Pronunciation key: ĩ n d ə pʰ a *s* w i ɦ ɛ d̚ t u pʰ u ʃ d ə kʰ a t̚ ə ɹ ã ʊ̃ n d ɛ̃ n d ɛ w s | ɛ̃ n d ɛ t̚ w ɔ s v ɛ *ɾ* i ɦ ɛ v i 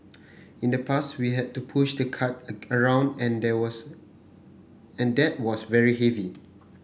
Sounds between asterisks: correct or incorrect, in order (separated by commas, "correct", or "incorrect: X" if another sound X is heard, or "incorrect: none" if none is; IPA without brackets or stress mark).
correct, incorrect: ɹ